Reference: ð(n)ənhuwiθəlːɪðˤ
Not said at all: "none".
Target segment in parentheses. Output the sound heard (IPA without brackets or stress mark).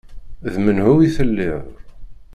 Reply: m